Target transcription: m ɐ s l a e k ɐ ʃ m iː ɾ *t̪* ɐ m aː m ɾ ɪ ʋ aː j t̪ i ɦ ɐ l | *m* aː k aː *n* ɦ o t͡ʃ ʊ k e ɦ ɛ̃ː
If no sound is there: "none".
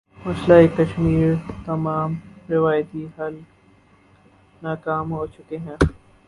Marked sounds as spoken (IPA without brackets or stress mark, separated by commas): t̪, n, m